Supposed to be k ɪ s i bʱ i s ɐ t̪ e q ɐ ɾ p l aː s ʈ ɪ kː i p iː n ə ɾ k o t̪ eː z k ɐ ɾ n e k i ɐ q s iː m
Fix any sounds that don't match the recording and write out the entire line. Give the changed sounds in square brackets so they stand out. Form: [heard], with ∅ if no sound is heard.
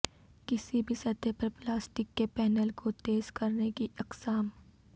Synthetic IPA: k ɪ s i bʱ i s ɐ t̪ e [p] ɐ ɾ p l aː s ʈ ɪ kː [e] p [ɛː] n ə [l] k o t̪ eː z k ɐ ɾ n e k i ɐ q s [aː] m